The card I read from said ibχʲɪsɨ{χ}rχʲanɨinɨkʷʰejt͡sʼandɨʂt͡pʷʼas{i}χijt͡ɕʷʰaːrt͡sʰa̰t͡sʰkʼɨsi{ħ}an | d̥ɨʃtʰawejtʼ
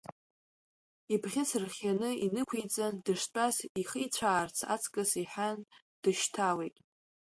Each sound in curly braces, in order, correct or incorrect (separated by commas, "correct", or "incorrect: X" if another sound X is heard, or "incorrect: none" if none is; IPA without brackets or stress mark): incorrect: none, correct, correct